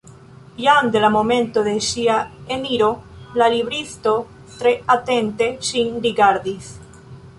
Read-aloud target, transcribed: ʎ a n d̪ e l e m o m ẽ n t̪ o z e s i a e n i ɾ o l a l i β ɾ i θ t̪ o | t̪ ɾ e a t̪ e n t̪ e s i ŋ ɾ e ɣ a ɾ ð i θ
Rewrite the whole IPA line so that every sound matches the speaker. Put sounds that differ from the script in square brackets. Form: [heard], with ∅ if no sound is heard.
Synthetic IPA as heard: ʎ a n d̪ e l [a] m o m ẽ n t̪ o [ð] e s i a e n i ɾ o l a l i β ɾ i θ t̪ o | t̪ ɾ e a t̪ e n t̪ e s i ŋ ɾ [i] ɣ a ɾ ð i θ